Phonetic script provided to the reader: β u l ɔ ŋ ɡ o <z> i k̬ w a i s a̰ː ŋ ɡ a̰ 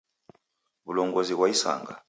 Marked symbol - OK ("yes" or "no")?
yes